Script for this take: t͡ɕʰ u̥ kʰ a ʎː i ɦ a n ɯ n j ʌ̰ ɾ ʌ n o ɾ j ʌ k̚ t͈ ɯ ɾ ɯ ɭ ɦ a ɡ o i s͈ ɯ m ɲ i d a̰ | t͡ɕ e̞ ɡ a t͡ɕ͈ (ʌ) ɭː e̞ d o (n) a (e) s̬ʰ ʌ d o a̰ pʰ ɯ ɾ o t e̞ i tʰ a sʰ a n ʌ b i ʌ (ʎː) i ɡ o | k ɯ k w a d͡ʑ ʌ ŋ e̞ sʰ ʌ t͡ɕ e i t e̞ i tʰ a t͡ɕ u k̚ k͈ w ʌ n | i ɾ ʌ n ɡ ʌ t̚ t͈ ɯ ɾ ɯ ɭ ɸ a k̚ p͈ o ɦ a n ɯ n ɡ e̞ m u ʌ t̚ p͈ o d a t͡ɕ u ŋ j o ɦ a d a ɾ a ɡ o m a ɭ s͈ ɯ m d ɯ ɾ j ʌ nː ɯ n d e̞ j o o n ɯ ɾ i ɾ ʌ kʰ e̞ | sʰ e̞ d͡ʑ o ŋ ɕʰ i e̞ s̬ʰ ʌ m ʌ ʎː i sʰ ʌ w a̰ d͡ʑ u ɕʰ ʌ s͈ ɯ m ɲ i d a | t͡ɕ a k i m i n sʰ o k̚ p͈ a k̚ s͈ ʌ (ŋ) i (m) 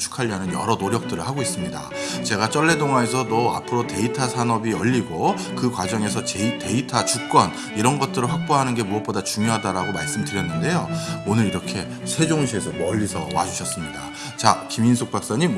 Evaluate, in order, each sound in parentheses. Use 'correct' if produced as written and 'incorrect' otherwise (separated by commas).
correct, incorrect, correct, correct, incorrect, correct